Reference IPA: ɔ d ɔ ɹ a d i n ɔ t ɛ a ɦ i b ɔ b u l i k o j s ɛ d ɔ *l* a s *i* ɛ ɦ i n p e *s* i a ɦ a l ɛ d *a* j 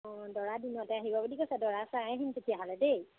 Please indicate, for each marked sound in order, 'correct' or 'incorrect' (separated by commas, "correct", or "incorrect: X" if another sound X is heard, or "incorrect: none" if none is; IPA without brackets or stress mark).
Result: incorrect: ɹ, incorrect: a, incorrect: t, incorrect: e